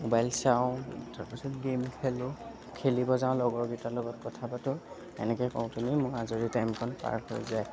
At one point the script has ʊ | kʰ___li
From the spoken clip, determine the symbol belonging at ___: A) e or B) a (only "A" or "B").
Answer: A